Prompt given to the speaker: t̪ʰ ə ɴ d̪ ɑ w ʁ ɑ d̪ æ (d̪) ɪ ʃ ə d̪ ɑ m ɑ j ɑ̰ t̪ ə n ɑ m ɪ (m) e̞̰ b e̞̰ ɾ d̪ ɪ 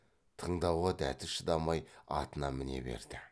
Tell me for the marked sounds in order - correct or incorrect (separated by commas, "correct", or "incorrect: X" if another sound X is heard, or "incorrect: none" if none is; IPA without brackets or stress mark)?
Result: incorrect: t̪, incorrect: n